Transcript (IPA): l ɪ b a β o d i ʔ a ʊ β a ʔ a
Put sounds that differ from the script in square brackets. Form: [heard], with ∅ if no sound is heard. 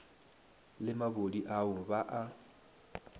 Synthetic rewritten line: l ɪ [m] a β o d i ʔ a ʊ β a ʔ a